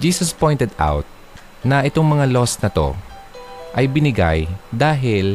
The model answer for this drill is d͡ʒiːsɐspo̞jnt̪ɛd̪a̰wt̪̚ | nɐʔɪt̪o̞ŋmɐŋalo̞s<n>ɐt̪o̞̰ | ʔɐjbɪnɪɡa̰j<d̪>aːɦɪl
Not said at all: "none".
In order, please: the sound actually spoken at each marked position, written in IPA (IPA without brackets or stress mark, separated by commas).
n, d̪